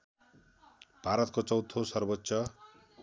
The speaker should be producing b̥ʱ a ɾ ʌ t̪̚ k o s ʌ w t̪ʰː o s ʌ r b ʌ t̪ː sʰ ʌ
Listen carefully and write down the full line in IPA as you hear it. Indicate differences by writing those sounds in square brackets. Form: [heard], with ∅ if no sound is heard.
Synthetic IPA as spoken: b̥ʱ a ɾ ʌ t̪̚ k o [t͡s] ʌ w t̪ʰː o s ʌ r b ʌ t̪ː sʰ ʌ